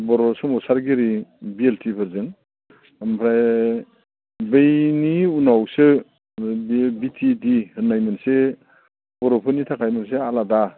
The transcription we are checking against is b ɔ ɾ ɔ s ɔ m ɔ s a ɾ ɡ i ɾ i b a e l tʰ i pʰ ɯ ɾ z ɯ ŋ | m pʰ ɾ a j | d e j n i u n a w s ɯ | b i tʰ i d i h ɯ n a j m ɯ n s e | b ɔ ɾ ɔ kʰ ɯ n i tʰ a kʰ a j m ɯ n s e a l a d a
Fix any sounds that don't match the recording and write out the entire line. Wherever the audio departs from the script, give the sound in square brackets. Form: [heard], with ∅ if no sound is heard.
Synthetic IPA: b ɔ ɾ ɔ s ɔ m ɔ s a ɾ ɡ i ɾ i b [i] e l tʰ i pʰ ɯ ɾ z ɯ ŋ | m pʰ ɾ a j | [b] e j n i u n a w s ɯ | b i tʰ i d i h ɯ n a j m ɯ n s e | b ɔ ɾ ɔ [pʰ] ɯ n i tʰ a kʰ a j m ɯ n s e a l a d a

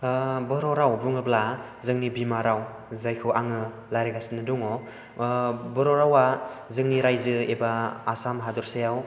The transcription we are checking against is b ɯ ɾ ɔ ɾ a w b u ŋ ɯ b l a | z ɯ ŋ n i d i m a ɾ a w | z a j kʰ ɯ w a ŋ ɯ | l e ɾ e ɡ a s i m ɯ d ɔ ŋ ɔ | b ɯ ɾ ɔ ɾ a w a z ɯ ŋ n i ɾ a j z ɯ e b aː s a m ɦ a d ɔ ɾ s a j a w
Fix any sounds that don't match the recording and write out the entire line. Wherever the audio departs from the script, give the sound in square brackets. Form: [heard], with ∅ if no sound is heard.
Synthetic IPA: b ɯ ɾ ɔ ɾ a w b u ŋ ɯ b l a | z ɯ ŋ n i [b] i m a ɾ a w | z a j kʰ ɯ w a ŋ ɯ | l [a] ɾ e ɡ a s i [n] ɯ d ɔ ŋ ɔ | b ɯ ɾ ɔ ɾ a w a z ɯ ŋ n i ɾ a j z ɯ e b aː s a m ɦ a d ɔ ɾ s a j a w

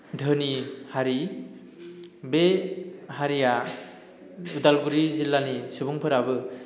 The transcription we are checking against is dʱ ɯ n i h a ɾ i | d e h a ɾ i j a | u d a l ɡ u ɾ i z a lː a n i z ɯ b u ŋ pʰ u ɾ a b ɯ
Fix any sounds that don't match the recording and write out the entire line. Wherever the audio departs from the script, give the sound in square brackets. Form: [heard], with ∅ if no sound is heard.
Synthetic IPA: dʱ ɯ n i h a ɾ i | [b] e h a ɾ i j a | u d a l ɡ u ɾ i z [i] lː a n i [s] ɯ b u ŋ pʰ [ɯ] ɾ a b ɯ

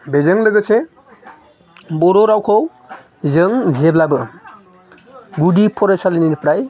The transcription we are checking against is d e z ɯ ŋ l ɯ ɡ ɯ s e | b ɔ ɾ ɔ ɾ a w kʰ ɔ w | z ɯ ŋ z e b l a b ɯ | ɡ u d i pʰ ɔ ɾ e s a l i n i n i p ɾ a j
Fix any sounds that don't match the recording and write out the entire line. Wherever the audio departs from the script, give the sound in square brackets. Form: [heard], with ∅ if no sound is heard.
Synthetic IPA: [b] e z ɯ ŋ l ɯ ɡ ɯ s e | b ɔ ɾ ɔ ɾ a w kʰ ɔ w | z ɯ ŋ z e b l a b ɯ | ɡ u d i pʰ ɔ ɾ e s a l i n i n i p ɾ a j

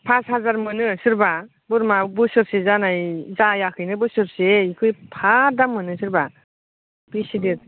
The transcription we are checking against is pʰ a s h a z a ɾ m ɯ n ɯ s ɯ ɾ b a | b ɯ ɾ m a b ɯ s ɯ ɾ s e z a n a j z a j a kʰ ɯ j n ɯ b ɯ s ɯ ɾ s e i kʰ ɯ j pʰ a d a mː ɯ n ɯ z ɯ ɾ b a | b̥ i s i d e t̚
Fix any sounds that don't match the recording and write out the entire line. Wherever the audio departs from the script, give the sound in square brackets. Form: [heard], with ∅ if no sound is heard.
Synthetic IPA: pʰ a s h a z a ɾ m ɯ n ɯ s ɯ ɾ b a | b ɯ ɾ m a b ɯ s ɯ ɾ s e z a n a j z a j a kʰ ɯ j n ɯ b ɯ s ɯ ɾ s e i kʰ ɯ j pʰ a d a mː ɯ n ɯ [s] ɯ ɾ b a | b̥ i s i d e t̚

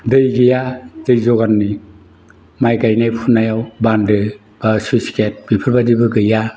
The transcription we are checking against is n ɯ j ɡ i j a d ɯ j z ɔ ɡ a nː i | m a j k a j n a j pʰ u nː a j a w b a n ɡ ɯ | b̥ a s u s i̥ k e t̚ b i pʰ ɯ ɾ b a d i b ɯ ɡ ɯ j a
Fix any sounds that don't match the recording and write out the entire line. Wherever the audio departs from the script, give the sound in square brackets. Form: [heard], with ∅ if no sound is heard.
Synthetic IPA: [d] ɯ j ɡ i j a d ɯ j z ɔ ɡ a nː i | m a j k a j n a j pʰ u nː a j a w b a n [d] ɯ | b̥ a s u s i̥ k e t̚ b i pʰ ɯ ɾ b a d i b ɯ ɡ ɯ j a

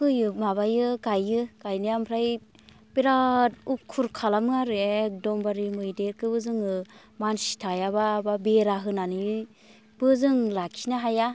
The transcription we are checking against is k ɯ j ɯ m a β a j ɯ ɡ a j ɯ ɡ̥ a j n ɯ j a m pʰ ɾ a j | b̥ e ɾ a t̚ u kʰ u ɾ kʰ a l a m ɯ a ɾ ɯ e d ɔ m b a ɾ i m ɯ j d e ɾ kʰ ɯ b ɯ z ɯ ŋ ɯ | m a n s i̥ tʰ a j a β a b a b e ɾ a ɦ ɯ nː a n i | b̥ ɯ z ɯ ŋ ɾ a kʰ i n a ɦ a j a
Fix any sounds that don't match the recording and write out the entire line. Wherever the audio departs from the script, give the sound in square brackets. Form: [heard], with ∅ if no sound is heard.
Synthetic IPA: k ɯ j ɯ m a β a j ɯ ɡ a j ɯ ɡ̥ a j n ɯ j a m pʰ ɾ a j | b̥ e ɾ a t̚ u kʰ u ɾ kʰ a l a m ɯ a ɾ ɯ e d ɔ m b a ɾ i m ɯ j d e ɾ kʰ ɯ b ɯ z ɯ ŋ ɯ | m a n s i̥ tʰ a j a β a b a b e ɾ a ɦ ɯ [n] a n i | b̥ ɯ z ɯ ŋ [l] a kʰ i n a ɦ a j a

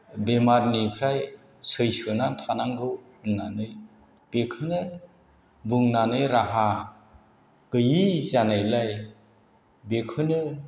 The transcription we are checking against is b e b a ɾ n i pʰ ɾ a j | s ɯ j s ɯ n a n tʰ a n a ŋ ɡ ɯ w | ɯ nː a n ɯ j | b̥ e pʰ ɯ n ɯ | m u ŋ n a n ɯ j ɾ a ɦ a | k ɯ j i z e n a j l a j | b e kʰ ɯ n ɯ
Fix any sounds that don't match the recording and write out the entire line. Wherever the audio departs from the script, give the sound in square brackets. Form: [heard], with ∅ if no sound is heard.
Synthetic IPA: b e [m] a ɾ n i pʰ ɾ a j | s ɯ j s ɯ n a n tʰ a n a ŋ ɡ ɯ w | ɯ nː a n ɯ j | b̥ e [kʰ] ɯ n ɯ | [b] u ŋ n a n ɯ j ɾ a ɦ a | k ɯ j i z [a] n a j l a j | b e kʰ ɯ n ɯ

